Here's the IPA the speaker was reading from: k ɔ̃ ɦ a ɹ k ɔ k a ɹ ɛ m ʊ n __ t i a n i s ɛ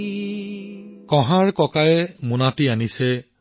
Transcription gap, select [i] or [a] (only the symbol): a